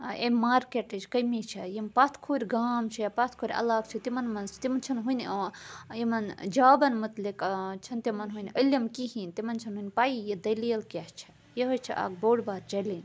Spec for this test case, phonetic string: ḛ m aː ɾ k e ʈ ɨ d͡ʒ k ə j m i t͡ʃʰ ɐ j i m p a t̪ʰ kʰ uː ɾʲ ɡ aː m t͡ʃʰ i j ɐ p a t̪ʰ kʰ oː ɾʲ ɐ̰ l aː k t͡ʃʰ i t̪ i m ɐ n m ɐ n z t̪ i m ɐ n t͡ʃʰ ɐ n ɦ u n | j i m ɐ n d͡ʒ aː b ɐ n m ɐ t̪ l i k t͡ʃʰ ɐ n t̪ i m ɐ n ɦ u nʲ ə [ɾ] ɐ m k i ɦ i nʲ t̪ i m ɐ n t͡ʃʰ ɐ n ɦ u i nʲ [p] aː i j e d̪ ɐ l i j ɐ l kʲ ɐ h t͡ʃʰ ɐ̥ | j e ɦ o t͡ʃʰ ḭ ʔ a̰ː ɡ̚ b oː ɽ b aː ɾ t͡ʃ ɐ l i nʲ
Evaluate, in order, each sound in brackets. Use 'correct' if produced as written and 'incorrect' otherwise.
incorrect: l, correct

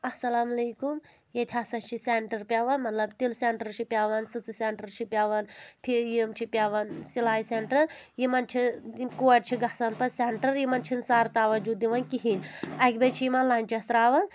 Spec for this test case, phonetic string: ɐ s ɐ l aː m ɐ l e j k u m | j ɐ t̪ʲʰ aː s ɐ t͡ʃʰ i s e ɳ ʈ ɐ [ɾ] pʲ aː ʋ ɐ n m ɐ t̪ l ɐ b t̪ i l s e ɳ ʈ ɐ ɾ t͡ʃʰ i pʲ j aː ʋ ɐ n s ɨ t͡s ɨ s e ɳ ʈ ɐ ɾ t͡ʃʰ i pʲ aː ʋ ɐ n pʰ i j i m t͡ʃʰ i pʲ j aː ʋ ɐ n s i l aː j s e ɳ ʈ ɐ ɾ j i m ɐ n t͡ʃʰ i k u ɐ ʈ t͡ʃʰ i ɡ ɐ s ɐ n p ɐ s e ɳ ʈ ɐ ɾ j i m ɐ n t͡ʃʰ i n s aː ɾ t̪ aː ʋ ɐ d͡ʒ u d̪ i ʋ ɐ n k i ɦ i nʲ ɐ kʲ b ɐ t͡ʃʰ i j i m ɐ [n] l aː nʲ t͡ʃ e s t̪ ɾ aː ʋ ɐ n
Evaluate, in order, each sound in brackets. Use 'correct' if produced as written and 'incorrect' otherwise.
correct, correct

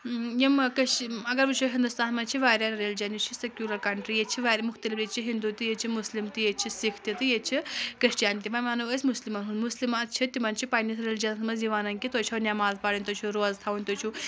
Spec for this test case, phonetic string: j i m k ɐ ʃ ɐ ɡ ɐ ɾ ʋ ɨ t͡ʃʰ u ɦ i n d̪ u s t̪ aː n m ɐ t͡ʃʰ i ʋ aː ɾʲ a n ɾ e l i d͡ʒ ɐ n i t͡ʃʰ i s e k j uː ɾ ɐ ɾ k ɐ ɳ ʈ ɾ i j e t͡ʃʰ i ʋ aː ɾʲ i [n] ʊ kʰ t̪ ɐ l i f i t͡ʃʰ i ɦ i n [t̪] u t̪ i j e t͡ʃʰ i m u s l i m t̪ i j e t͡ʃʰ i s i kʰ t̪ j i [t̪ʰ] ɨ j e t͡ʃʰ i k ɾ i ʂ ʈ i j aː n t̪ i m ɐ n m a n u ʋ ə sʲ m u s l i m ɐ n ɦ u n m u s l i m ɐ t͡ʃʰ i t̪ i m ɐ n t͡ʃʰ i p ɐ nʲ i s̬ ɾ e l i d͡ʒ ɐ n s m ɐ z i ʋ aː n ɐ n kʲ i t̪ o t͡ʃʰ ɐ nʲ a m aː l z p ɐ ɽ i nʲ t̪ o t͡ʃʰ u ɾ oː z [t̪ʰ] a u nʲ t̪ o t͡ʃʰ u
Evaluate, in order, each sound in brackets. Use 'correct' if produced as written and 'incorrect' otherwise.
incorrect: m, incorrect: d̪, incorrect: t̪, correct

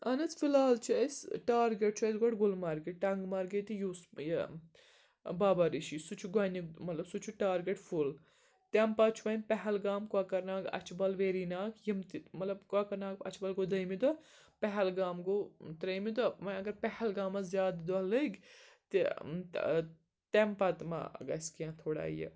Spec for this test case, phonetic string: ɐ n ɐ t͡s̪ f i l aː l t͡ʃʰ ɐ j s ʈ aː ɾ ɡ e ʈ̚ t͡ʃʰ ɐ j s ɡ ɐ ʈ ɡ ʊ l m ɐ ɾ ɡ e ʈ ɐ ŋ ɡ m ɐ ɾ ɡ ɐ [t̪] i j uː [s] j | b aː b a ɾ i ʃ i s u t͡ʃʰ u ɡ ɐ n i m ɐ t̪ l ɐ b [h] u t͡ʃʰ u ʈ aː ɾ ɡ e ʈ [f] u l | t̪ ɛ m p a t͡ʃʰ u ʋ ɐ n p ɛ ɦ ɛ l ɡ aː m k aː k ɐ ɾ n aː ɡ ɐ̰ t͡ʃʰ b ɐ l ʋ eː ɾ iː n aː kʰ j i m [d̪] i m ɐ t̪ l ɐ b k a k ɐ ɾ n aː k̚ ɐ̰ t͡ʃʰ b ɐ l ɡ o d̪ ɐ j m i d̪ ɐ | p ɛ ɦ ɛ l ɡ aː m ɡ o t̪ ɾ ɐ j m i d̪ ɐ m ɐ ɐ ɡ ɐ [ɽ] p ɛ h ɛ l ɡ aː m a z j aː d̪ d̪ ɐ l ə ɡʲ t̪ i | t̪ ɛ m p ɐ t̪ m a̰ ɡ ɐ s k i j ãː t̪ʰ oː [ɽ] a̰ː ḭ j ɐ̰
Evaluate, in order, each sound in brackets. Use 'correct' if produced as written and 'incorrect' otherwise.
correct, correct, incorrect: s, correct, incorrect: t̪, incorrect: ɾ, correct

